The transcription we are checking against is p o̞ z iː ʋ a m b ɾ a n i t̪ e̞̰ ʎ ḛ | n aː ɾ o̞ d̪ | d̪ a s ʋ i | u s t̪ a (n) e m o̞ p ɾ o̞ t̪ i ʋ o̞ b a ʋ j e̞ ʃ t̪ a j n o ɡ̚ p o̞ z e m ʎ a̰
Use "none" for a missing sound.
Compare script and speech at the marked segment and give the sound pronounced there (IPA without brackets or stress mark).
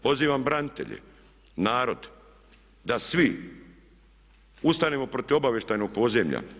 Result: n